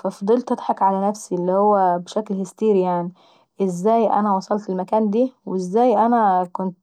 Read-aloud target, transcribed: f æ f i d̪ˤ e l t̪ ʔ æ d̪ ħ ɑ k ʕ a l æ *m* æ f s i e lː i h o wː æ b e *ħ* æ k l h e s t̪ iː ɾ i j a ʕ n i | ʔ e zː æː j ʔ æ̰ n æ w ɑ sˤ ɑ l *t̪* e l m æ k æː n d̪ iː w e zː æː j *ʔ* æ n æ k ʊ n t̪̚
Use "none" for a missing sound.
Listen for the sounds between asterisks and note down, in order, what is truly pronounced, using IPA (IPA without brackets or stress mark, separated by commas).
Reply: n, ʃ, t̪, ʔ